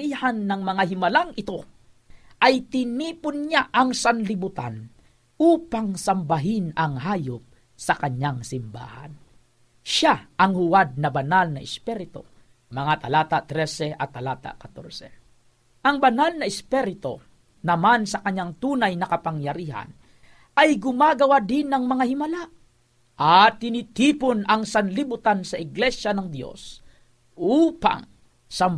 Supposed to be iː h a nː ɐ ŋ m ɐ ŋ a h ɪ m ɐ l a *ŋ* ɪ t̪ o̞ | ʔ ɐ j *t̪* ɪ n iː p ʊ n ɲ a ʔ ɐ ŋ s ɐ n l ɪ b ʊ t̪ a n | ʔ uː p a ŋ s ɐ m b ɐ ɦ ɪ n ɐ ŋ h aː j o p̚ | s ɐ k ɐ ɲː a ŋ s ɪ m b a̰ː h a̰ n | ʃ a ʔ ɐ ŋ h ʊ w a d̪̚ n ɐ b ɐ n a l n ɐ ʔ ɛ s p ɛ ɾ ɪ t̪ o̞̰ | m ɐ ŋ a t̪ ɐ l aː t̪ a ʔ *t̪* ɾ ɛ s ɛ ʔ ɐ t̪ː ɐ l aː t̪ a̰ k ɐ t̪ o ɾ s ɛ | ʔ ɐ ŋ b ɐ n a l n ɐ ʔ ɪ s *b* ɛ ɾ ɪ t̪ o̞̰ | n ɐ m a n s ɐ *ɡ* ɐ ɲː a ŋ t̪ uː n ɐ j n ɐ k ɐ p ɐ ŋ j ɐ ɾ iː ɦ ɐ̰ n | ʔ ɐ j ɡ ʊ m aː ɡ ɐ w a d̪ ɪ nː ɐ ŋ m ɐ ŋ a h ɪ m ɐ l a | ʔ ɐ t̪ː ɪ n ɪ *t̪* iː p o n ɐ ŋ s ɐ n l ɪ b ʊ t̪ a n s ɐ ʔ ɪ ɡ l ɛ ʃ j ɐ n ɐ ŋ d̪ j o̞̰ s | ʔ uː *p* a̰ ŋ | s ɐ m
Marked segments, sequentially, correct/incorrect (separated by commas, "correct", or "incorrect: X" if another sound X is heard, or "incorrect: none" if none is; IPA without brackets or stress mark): correct, correct, correct, incorrect: p, incorrect: k, correct, correct